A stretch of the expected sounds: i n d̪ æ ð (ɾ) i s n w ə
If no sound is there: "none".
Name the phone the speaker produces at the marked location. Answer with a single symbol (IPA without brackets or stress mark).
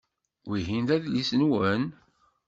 l